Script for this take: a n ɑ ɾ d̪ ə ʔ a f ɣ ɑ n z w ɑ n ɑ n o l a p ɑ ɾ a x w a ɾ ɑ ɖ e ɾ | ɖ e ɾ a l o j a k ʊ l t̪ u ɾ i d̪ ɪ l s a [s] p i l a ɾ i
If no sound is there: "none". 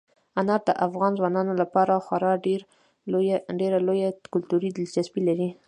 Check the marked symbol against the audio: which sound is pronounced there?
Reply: s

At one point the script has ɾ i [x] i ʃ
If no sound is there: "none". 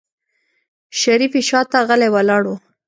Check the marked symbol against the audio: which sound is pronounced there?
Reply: f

